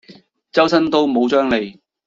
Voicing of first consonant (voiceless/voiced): voiceless